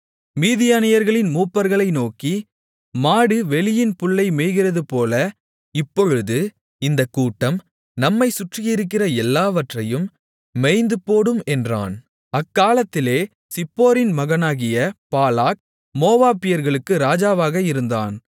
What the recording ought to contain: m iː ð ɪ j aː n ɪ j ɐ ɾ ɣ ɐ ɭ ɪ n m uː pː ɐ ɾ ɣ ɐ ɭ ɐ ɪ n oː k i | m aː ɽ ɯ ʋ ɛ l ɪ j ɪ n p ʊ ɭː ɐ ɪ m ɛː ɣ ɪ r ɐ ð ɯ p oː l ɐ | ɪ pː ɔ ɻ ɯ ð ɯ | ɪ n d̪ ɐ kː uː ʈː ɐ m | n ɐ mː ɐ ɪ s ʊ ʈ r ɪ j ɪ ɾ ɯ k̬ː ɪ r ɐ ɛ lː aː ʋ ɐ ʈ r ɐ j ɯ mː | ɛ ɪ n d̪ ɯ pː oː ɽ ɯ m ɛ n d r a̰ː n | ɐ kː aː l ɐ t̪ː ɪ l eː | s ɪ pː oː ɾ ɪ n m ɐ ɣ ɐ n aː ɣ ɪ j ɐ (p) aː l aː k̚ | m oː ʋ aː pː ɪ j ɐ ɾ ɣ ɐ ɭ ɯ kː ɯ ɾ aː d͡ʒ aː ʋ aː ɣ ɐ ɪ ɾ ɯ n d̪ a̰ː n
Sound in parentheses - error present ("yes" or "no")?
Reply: no